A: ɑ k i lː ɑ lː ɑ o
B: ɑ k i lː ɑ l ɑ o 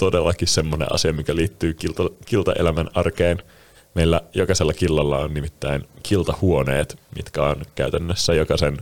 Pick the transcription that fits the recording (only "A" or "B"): A